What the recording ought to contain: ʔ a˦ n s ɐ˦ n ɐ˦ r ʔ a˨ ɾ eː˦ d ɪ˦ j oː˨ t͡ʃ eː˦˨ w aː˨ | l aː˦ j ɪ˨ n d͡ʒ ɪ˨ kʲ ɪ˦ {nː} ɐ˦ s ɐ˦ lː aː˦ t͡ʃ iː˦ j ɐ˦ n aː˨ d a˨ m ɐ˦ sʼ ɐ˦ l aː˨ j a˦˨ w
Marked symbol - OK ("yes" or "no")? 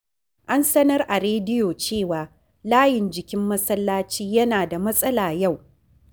no